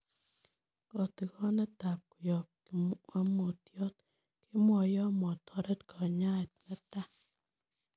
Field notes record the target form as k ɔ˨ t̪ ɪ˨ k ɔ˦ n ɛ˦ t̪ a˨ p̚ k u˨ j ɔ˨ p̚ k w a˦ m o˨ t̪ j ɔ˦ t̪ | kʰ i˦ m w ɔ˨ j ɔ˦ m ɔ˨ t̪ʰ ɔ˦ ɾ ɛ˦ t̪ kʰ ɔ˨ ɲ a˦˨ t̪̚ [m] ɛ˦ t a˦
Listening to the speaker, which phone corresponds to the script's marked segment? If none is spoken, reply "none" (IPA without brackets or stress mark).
n